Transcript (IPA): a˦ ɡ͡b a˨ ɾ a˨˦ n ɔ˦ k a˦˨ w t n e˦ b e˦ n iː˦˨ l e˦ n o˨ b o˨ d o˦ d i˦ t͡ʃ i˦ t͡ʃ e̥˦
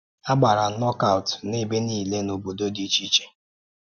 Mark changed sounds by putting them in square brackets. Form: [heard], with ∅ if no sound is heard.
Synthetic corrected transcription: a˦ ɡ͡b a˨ ɾ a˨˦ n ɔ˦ k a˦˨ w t n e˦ b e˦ n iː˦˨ l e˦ n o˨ b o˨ d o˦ d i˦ t͡ʃ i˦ t͡ʃ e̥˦